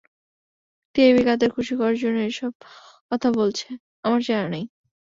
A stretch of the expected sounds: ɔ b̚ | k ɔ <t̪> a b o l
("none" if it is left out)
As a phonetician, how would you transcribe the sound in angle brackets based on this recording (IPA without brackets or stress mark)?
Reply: t̪ʰ